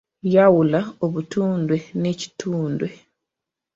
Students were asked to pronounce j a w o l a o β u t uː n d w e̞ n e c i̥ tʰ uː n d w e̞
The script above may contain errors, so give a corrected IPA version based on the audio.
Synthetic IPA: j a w u l a o β u t uː n d w e̞ n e c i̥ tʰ uː n d w e̞